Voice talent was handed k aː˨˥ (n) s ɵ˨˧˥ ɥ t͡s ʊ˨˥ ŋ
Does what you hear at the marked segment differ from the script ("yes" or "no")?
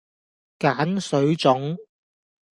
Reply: no